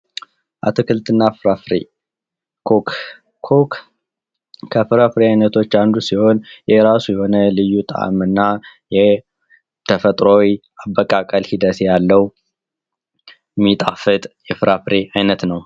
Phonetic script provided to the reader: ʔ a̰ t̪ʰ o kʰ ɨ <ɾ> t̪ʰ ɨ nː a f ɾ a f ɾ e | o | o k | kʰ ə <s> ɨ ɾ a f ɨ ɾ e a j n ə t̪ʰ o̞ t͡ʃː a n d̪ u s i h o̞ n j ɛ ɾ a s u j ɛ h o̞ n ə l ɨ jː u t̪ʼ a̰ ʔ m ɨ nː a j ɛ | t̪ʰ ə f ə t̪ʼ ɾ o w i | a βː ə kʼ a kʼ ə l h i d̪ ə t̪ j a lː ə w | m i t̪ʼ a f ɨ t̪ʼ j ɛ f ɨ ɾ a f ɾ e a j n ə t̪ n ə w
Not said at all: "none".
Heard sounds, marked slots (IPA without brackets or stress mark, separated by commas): l, f